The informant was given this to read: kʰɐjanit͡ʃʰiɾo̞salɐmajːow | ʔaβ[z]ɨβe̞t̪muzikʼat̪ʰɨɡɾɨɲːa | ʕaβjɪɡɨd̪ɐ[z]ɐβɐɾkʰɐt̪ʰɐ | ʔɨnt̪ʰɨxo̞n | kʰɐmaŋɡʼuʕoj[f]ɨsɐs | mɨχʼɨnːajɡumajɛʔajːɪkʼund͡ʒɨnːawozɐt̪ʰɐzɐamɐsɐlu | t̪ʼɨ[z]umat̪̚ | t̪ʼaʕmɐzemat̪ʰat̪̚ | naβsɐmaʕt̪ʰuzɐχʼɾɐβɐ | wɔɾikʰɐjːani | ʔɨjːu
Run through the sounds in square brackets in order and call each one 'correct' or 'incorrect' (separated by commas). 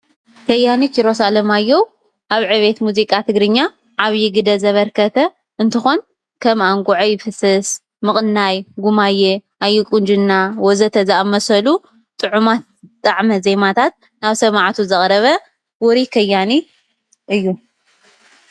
incorrect, correct, correct, incorrect